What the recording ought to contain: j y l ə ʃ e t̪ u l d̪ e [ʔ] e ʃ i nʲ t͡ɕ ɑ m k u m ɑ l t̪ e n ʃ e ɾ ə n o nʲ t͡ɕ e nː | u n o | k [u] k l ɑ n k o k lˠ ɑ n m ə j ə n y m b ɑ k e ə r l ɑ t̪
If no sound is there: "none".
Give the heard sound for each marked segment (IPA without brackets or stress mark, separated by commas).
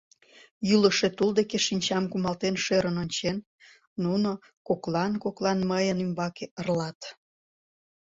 k, o